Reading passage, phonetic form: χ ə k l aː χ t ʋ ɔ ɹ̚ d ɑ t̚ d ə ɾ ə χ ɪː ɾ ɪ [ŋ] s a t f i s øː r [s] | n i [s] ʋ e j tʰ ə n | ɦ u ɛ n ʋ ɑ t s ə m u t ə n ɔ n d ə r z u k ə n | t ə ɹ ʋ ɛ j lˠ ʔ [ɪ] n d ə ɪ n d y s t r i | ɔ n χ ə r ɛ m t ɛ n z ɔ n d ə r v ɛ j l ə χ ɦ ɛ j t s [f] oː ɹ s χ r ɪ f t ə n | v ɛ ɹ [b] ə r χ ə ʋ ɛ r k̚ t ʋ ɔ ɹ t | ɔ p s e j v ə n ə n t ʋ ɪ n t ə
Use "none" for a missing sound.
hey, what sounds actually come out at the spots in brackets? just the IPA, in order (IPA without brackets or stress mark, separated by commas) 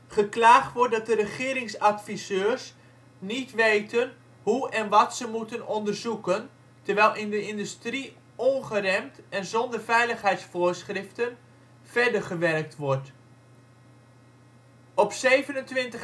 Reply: ŋ, s, t, ɪ, f, d